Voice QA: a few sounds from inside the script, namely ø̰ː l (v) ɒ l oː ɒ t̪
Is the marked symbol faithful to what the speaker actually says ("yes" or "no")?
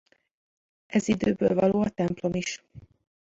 yes